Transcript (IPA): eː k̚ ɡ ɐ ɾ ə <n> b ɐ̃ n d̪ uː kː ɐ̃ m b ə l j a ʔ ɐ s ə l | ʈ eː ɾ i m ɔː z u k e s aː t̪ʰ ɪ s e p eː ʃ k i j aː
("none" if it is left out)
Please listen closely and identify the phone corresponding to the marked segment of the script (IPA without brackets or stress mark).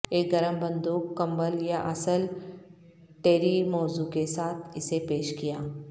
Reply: m